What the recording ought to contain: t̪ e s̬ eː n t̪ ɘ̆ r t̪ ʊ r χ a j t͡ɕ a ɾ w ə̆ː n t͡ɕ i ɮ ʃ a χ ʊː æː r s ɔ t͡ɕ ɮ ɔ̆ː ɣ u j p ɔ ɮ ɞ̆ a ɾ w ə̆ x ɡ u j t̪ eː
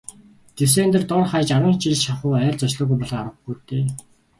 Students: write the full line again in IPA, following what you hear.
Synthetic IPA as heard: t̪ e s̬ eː n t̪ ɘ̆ r t̪ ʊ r χ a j t͡ɕ a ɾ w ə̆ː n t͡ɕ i ɮ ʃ a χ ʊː æː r t͡s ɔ t͡ɕ ɮ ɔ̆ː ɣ u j p ɔ ɮ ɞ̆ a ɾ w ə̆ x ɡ u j t̪ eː